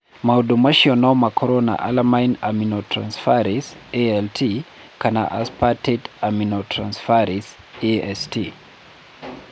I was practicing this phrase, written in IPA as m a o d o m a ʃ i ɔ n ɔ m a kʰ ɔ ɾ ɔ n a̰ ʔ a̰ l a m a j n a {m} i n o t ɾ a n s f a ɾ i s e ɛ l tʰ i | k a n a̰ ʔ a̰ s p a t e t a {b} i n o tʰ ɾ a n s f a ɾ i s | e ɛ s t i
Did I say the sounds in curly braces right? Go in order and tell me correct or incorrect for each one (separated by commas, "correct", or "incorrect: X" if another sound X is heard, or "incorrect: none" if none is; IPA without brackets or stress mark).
correct, incorrect: m